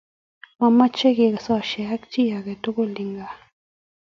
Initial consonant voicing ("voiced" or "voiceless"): voiced